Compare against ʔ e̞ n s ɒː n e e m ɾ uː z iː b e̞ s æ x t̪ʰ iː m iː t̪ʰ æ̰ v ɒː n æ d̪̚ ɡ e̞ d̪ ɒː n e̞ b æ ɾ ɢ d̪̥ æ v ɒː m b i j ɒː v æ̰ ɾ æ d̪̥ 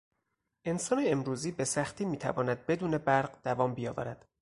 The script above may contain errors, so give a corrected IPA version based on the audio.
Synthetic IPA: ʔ e̞ n s ɒː n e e m ɾ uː z iː b e̞ s æ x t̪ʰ iː m iː t̪ʰ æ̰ v ɒː n æ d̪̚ b e̞ d̪ uː n e̞ b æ ɾ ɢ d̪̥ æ v ɒː m b i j ɒː v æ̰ ɾ æ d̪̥